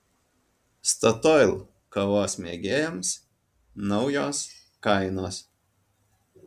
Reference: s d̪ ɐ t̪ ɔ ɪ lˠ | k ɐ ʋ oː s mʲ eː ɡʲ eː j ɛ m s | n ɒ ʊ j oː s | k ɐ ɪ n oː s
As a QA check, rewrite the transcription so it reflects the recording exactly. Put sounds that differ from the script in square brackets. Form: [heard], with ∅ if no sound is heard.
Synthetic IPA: s [t̪] ɐ t̪ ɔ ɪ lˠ | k ɐ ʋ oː s mʲ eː ɡʲ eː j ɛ m s | n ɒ ʊ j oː s | k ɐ ɪ n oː s

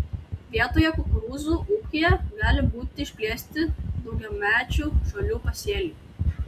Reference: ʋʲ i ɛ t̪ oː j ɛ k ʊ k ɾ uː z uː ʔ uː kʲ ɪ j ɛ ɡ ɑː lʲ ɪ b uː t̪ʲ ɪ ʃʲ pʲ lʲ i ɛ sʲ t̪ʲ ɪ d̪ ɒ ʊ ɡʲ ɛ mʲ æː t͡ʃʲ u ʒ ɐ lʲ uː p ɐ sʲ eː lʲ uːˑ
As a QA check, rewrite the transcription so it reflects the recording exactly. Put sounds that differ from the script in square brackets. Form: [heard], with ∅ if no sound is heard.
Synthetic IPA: ʋʲ i ɛ t̪ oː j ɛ k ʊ k ɾ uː z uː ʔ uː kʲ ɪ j ɛ ɡ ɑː lʲ ɪ b uː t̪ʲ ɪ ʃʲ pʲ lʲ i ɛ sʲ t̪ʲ ɪ d̪ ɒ ʊ ɡʲ ɛ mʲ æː t͡ʃʲ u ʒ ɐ lʲ uː p ɐ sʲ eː lʲ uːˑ

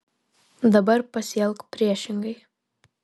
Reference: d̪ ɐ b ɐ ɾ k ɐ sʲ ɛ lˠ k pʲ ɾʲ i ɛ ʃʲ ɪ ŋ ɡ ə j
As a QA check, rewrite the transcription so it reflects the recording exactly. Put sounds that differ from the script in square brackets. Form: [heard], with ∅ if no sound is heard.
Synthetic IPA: d̪ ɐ b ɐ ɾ [p] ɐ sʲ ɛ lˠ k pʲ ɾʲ i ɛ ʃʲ ɪ ŋ ɡ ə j

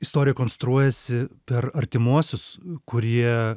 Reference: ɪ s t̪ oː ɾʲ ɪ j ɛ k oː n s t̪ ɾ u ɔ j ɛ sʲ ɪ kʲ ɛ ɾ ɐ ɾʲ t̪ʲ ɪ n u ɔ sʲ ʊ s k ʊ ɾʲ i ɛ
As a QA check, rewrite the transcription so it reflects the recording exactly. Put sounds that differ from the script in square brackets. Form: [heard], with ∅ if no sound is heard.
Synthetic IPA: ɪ s t̪ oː ɾʲ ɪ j ɛ k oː n s t̪ ɾ u ɔ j ɛ sʲ ɪ [pʲ] ɛ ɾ ɐ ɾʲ t̪ʲ ɪ [m] u ɔ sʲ ʊ s k ʊ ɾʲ i ɛ

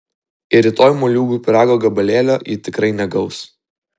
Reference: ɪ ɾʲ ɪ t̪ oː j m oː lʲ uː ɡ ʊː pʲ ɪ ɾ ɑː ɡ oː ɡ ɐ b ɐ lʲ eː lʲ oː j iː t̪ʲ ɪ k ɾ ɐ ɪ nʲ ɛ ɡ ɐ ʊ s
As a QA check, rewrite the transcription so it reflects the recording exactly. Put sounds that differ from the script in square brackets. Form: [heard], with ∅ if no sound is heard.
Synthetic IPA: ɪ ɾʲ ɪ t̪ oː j m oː lʲ uː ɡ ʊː pʲ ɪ ɾ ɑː ɡ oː ɡ ɐ b ɐ lʲ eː lʲ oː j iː t̪ʲ ɪ k ɾ ɐ ɪ nʲ ɛ ɡ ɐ ʊ s

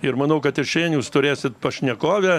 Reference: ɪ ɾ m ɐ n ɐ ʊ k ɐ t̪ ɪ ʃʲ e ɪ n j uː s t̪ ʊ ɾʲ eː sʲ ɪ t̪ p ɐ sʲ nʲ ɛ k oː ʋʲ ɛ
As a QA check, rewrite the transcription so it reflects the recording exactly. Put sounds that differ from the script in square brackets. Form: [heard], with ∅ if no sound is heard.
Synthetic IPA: ɪ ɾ m ɐ n ɐ ʊ k ɐ t̪ ɪ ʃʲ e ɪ n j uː s t̪ ʊ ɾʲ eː sʲ ɪ t̪ p ɐ [ʃʲ] nʲ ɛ k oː ʋʲ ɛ

